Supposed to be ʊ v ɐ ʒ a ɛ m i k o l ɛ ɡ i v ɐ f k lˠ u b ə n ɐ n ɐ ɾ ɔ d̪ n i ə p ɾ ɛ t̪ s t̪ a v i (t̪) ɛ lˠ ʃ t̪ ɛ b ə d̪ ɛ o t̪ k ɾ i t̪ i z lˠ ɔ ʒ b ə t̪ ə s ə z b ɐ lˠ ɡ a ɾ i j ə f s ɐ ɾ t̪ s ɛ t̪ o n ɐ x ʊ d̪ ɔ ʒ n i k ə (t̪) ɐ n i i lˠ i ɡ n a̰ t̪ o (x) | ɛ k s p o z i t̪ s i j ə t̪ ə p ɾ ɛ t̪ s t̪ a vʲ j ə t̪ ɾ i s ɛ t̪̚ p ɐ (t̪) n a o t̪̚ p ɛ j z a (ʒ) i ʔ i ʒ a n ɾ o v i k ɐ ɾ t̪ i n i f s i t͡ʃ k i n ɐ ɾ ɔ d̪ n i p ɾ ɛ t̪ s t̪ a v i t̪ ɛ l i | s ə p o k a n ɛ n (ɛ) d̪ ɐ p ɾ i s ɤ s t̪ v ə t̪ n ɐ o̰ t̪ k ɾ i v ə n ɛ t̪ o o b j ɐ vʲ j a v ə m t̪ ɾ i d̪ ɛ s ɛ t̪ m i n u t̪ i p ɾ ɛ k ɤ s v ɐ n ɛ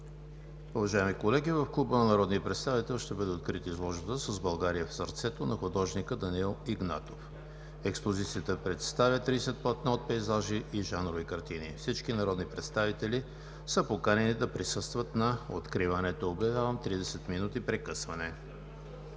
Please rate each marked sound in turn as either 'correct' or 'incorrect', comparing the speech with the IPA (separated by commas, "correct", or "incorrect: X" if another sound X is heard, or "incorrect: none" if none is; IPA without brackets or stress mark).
correct, incorrect: d̪, incorrect: f, correct, correct, incorrect: i